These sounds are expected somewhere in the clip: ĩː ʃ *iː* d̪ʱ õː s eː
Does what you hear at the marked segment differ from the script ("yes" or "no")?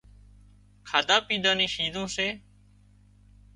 no